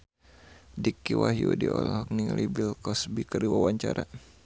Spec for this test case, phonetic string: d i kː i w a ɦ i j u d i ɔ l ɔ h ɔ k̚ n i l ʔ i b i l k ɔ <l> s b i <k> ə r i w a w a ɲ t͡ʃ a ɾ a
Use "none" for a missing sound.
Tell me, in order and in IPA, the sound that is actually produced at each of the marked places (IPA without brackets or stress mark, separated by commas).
none, k